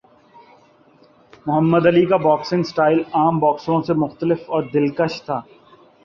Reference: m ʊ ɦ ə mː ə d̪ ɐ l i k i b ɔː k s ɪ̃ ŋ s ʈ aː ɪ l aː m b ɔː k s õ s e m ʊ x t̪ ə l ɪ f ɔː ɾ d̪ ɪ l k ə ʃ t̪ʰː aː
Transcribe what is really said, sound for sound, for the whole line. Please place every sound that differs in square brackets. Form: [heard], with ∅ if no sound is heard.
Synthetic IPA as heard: m ʊ ɦ ə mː ə d̪ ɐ l i k [a] b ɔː k s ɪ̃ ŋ s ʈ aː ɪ l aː m b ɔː k s õ s e m ʊ x t̪ ə l ɪ f ɔː ɾ d̪ ɪ l k ə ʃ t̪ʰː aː